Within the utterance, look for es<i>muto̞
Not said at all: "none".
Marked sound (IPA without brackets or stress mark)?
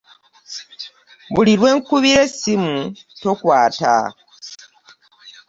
i